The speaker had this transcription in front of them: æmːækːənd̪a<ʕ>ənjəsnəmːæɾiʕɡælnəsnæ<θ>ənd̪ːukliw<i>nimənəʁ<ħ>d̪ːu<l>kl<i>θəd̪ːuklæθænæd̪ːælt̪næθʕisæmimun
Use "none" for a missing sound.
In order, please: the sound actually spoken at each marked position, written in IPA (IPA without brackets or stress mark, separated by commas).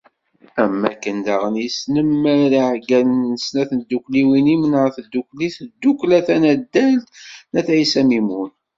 ʁ, θ, i, θ, none, i